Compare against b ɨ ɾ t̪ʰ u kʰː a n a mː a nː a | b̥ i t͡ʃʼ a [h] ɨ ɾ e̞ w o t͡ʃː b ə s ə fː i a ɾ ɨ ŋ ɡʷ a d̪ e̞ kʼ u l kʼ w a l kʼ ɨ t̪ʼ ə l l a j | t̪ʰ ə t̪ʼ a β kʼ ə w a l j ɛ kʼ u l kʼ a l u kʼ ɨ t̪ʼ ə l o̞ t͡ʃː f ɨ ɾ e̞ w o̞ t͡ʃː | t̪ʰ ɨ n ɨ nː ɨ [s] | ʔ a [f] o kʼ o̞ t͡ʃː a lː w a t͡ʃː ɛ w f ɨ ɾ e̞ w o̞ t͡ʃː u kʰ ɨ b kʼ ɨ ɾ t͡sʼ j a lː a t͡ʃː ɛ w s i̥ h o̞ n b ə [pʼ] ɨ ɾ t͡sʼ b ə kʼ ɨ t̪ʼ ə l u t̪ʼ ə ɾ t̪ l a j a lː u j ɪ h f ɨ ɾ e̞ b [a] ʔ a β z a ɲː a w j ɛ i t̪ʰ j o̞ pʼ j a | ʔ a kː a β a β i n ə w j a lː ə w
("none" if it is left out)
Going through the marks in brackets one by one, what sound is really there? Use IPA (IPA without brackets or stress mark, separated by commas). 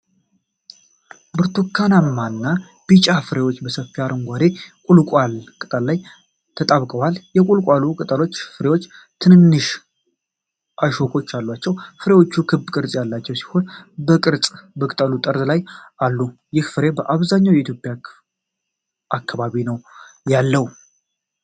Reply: f, ʃ, ʃ, kʼ, ə